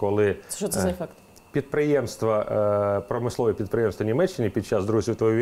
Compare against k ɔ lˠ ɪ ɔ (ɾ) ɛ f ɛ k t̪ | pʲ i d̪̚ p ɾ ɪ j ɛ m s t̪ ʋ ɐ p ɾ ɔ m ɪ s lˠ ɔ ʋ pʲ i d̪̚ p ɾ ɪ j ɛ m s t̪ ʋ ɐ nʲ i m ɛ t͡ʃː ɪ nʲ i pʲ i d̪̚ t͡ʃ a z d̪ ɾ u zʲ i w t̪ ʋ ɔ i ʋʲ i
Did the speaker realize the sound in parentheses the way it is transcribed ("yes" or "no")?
no